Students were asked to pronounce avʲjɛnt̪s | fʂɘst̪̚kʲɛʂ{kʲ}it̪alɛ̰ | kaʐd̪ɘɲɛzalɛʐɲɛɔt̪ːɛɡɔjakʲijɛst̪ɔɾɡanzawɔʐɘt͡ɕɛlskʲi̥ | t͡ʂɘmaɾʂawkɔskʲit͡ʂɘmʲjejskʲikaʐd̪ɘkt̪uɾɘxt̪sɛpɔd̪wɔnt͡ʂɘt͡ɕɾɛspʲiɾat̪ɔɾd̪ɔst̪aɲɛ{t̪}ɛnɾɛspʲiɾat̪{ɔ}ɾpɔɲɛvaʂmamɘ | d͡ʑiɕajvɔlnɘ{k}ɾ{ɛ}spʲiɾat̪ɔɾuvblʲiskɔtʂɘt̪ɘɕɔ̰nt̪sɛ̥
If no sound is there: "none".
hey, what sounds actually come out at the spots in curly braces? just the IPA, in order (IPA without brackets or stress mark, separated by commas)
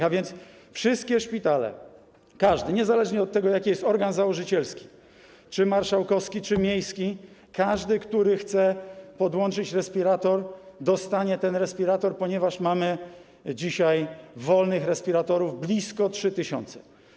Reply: pʲ, t̪, ɔ, x, ɛ